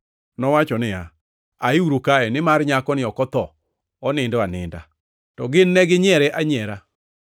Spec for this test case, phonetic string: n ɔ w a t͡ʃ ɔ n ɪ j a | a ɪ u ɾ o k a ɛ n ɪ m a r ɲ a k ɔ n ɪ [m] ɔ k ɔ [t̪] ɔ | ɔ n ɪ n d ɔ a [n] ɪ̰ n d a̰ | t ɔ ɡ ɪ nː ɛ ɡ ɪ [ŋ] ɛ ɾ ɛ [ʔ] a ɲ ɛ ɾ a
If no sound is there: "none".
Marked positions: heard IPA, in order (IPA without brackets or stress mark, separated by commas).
none, t̪, n, ɲ, ʔ